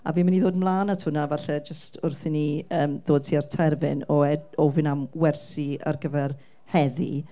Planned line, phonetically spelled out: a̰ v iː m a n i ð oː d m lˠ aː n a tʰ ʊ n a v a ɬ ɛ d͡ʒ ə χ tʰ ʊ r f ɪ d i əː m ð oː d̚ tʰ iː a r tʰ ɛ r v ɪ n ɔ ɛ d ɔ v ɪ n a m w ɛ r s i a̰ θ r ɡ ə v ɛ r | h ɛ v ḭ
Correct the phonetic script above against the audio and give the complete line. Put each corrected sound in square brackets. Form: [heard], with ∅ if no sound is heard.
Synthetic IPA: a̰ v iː m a n i ð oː d m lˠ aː n a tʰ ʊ n a v a ɬ ɛ d͡ʒ ə [s] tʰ ʊ r [θ] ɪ [n] i əː m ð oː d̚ tʰ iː a r tʰ ɛ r v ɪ n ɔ ɛ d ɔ v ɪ n a m w ɛ r s i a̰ [∅] r ɡ ə v ɛ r | h ɛ [ð] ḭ